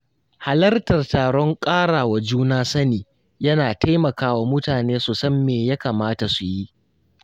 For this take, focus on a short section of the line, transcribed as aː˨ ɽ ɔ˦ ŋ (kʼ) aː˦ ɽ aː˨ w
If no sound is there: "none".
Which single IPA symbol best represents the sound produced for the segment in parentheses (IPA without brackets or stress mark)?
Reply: kʼ